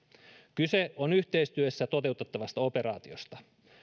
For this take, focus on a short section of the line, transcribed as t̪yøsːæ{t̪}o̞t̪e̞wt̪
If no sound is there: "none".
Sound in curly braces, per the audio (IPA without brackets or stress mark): t̪